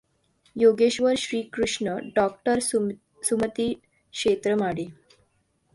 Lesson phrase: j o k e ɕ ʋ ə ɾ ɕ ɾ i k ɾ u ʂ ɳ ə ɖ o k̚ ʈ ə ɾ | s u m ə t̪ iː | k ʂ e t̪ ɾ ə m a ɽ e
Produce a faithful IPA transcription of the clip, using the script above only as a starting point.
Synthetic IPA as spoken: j o ɡ e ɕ ʋ ə ɾ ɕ ɾ iː k ɾ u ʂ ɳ ə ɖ ɔ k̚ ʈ ə ɾ | s u m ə t̪ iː | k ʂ e t̪ ɾ ə m a ɽ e